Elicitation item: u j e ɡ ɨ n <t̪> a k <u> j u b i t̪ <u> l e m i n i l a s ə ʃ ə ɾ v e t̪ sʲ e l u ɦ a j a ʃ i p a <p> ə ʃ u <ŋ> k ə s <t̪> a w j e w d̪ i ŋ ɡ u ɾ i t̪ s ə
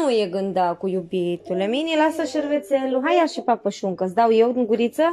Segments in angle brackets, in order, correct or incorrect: incorrect: d̪, correct, correct, correct, correct, incorrect: d̪

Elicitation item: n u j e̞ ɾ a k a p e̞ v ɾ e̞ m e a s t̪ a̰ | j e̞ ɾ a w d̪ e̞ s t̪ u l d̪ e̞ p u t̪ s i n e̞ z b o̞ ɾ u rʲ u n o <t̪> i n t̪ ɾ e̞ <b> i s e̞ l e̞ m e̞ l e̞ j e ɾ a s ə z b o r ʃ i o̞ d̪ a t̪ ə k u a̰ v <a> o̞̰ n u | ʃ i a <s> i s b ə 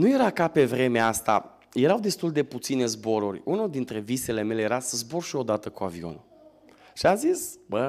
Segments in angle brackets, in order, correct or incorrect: incorrect: d̪, incorrect: v, incorrect: i, incorrect: z

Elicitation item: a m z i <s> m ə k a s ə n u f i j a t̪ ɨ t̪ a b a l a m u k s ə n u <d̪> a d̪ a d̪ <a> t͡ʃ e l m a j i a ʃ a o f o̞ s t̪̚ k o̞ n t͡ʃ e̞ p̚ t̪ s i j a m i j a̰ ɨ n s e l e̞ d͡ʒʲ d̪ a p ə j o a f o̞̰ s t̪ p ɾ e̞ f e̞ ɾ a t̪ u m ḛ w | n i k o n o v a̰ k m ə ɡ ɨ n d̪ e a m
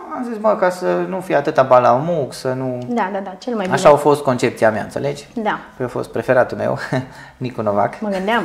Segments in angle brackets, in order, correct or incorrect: correct, correct, correct

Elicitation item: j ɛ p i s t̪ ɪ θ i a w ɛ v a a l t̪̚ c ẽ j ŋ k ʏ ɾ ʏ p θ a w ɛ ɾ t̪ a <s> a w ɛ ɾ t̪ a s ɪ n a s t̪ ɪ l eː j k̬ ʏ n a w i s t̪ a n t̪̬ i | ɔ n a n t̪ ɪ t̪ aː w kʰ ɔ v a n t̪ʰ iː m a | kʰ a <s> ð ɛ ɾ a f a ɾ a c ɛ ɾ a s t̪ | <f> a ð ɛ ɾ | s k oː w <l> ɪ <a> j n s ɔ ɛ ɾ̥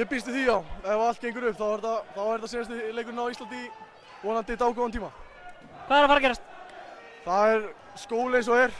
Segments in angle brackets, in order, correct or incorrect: incorrect: θ, incorrect: none, incorrect: θ, correct, incorrect: e

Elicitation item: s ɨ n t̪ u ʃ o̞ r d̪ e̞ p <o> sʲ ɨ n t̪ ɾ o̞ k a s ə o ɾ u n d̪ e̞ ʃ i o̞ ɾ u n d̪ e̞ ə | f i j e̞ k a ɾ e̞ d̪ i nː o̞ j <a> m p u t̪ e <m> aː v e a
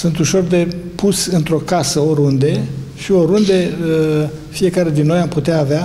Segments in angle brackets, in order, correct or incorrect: incorrect: u, correct, incorrect: none

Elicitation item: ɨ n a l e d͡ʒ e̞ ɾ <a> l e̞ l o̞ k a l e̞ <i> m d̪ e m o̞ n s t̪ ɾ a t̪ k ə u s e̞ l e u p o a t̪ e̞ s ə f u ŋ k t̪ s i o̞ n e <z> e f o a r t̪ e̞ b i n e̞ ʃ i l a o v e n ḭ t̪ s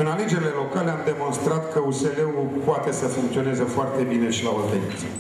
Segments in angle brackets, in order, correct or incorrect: incorrect: i, incorrect: a, correct

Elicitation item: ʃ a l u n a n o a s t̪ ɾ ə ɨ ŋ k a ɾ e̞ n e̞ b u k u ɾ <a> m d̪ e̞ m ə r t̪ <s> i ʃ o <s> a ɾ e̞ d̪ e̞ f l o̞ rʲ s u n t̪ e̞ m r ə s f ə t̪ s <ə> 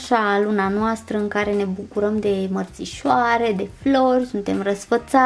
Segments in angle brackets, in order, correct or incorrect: incorrect: ə, correct, incorrect: none, incorrect: a

